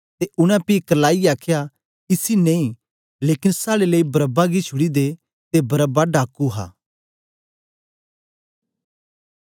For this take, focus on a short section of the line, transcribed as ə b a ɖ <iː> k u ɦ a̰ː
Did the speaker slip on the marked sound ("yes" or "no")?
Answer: yes